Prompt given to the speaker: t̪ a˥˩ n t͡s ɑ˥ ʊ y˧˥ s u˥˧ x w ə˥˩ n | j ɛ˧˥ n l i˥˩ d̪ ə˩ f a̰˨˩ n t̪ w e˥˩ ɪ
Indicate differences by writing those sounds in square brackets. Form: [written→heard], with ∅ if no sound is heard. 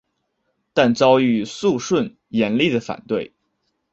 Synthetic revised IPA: t̪ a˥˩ n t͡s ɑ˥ ʊ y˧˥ s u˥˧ [x→ʂ] w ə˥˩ n | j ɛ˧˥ n l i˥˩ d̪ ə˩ f a̰˨˩ n t̪ w e˥˩ ɪ